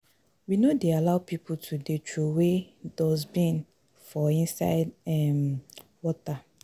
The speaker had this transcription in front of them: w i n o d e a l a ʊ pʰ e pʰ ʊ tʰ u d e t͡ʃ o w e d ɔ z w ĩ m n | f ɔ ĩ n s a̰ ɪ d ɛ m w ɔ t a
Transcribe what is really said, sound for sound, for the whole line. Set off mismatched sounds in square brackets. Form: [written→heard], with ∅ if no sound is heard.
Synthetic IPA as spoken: w i n o d e a l a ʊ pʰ [e→i] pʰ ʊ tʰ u d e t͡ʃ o w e d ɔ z [w→b] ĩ [m→∅] n | f ɔ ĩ n s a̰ ɪ d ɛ m w ɔ t a